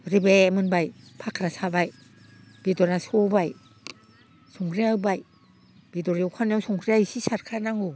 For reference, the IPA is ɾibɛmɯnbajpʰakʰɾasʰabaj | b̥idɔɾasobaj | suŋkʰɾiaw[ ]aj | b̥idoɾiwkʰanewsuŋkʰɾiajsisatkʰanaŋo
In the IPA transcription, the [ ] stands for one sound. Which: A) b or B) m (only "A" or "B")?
A